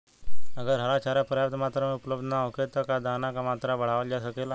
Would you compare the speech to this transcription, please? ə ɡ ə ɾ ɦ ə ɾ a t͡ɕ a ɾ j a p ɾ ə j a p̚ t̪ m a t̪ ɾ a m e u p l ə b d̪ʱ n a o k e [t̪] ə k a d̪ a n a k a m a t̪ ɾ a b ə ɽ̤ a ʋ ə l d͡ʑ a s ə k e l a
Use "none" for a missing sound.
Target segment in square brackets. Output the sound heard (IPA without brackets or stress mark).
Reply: t̪